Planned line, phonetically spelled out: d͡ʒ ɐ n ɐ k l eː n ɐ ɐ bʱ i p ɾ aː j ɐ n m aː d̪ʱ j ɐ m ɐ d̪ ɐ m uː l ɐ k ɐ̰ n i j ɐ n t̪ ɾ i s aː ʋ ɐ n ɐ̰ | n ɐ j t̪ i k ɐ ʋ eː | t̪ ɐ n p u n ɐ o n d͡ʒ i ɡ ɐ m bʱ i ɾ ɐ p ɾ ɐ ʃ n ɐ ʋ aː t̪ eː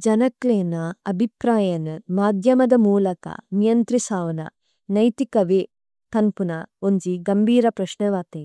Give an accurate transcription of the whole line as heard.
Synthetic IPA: d͡ʒ ɐ n ɐ k l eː n ɐ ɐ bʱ i p ɾ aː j ɐ n m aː d̪ʱ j ɐ m ɐ d̪ ɐ m uː l ɐ k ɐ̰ n i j ɐ n t̪ ɾ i s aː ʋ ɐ n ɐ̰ | n ɐ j t̪ i k ɐ ʋ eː | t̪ ɐ n p u n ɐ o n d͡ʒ i ɡ ɐ m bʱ iː ɾ ɐ p ɾ ɐ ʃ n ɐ ʋ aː t̪ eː